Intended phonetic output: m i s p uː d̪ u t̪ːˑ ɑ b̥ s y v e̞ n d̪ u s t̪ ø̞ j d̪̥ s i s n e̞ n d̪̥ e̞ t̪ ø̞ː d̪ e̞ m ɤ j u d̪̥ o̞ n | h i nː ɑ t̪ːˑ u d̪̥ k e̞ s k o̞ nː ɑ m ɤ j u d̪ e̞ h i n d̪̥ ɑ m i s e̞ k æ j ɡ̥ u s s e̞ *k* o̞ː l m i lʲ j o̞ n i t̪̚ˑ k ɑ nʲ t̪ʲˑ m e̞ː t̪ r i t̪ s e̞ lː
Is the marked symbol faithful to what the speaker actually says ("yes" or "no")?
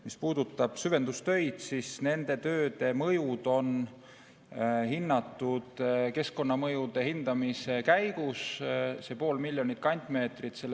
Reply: no